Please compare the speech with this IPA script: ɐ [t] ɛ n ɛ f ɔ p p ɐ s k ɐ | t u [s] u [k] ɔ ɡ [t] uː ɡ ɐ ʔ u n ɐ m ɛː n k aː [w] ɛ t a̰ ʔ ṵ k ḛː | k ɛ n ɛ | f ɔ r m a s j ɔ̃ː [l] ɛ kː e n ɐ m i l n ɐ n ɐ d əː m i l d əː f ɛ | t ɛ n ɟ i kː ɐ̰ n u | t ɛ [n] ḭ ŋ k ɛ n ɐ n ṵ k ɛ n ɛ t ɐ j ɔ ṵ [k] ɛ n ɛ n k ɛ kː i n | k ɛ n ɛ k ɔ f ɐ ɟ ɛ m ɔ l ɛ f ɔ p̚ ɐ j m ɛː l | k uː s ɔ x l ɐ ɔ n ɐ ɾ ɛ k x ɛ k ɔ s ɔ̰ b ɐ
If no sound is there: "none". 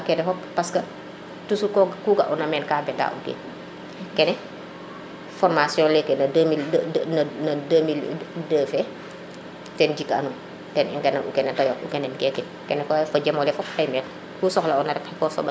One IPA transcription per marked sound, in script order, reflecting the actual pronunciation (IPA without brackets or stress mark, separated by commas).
k, s, k, k, b, l, n, k